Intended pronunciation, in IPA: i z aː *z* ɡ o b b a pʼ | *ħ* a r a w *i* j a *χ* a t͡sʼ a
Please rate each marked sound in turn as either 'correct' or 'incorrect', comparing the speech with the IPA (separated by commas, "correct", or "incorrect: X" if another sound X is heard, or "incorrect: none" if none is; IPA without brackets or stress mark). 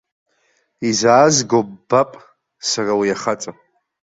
correct, incorrect: s, correct, correct